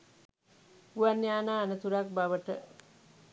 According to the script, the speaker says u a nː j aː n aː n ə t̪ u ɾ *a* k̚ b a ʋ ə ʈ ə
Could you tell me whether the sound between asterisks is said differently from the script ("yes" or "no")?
no